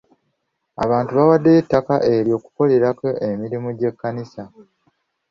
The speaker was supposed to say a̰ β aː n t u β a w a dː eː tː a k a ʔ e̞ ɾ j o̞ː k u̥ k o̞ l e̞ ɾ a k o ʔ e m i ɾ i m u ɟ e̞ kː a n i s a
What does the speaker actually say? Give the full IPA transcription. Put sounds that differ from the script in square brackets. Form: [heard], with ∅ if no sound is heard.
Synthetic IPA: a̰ β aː n t u β a w a dː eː tː a k a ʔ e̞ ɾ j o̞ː k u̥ k o̞ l e̞ ɾ a k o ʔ e m i ɾ i m u ɟ e̞ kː a n i s a

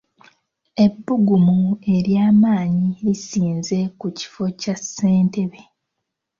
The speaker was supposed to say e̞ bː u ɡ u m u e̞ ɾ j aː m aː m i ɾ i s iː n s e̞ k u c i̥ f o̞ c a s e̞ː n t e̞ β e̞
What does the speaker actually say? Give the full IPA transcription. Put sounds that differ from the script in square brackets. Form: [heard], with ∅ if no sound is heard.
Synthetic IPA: e̞ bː u ɡ u m u e̞ ɾ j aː m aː [ɲ] i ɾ i s iː n [z] e̞ k u c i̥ f o̞ c a s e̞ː n t e̞ β e̞

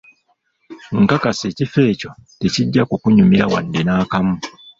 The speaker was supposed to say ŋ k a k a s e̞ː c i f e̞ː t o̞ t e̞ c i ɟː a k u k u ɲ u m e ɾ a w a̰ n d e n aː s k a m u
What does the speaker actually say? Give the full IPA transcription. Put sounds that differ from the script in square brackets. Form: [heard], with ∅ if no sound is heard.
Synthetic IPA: ŋ k a k a s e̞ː c i f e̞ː [c] o̞ t e̞ c i ɟː a k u k u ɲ u m [i] ɾ a w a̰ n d e n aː [∅] k a m u

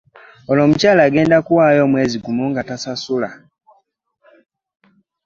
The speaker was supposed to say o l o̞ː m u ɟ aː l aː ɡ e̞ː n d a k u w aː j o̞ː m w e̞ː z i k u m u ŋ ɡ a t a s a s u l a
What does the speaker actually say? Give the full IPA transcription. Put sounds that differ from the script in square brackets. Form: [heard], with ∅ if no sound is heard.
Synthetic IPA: o l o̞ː m u [c] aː l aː ɡ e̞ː n d a k u w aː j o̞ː m w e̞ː z i [ɡ] u m u ŋ ɡ a t a s a s u l a

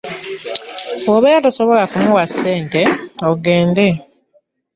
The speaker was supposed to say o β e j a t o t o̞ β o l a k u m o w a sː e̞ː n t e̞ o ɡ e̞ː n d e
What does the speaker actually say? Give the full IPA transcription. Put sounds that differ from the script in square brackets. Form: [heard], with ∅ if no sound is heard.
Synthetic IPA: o β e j a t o [s] o̞ β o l a k u m [u] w a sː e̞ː n t e̞ o ɡ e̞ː n d e

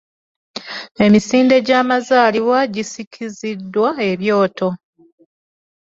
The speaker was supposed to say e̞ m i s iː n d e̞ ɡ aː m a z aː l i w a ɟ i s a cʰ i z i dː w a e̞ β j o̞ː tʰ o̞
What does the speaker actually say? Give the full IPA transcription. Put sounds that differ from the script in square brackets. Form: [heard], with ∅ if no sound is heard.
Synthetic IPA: e̞ m i s iː n d e̞ [ɟ] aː m a z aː l i w a ɟ i s [i] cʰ i z i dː w a e̞ β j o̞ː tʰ o̞

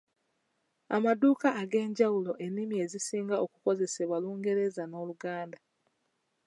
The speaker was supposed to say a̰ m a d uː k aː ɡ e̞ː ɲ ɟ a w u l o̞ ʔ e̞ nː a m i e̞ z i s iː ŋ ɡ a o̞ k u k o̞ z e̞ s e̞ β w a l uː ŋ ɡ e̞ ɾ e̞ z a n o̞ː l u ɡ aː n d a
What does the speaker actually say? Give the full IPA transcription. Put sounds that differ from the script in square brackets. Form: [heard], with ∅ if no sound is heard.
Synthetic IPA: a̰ m a d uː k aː ɡ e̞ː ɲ ɟ a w u l o̞ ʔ e̞ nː [i] m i e̞ z i s iː ŋ ɡ a o̞ k u k o̞ z e̞ s e̞ β w a l uː ŋ ɡ e̞ ɾ e̞ z a n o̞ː l u ɡ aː n d a

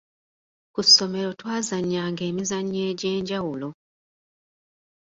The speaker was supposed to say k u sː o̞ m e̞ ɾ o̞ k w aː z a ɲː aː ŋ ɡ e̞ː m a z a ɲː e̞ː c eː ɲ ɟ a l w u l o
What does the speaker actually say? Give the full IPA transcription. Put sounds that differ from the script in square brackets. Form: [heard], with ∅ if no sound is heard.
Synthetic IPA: k u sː o̞ m e̞ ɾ o̞ [t] w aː z a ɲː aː ŋ ɡ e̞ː m [i] z a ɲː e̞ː [ɟ] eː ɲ ɟ a [∅] w u l o

